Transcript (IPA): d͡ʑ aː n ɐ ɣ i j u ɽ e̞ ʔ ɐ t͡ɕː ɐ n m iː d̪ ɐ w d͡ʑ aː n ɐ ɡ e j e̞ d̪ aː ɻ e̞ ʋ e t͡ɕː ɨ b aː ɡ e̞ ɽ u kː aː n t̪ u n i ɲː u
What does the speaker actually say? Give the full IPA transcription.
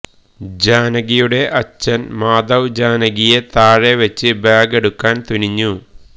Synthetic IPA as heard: d͡ʑ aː n ɐ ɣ i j u ɽ e̞ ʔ ɐ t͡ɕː ɐ n m aː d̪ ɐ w d͡ʑ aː n ɐ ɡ i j e̞ t̪ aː ɻ e̞ ʋ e t͡ɕː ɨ b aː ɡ e̞ ɽ u kː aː n t̪ u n i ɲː u